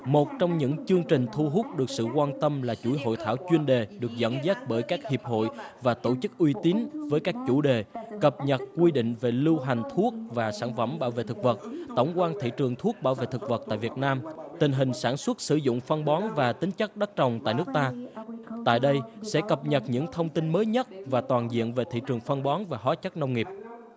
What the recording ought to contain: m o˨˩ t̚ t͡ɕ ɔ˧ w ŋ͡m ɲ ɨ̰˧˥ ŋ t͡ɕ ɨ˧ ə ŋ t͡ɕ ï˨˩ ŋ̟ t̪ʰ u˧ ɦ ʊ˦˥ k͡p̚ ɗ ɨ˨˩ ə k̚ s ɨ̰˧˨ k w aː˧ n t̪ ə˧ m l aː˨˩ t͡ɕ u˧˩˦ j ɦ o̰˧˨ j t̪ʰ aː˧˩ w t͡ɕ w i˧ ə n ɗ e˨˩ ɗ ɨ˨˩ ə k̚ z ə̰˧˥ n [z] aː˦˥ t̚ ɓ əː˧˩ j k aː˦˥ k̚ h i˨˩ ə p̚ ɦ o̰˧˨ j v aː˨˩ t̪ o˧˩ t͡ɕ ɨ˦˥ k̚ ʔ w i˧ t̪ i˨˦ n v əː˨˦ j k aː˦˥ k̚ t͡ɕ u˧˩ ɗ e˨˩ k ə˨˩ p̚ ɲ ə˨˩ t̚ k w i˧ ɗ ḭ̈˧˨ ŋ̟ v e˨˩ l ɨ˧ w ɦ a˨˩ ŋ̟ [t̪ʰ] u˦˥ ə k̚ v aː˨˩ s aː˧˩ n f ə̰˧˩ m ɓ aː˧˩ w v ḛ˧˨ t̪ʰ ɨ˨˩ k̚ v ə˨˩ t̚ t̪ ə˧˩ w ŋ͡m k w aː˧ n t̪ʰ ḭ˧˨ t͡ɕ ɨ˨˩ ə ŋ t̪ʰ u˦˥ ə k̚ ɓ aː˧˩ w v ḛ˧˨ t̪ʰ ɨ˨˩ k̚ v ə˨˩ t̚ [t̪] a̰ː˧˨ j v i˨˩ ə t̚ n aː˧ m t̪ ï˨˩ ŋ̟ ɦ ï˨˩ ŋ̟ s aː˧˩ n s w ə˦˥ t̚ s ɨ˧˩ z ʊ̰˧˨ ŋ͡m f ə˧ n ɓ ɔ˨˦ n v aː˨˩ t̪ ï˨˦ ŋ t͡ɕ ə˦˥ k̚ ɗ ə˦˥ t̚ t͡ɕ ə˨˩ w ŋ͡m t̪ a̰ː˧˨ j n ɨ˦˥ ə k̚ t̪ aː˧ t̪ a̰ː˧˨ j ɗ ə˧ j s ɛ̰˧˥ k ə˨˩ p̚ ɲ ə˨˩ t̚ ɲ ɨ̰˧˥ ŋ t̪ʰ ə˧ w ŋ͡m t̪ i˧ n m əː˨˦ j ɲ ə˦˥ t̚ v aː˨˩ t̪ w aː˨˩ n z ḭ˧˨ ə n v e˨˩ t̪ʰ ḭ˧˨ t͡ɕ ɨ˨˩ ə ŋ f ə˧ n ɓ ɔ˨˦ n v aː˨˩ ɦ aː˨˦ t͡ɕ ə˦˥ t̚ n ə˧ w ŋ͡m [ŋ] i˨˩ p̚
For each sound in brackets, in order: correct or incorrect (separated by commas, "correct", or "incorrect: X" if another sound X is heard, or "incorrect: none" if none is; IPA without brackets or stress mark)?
correct, correct, correct, correct